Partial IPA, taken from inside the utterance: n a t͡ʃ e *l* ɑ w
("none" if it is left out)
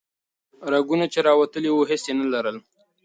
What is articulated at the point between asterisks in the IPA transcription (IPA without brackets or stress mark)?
ɾ